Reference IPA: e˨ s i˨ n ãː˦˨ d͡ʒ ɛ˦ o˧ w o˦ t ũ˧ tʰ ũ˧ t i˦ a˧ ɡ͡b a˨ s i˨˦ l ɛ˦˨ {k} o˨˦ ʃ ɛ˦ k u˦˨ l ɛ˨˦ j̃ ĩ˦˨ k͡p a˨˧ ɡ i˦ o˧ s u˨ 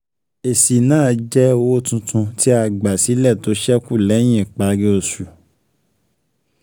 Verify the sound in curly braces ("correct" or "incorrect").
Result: incorrect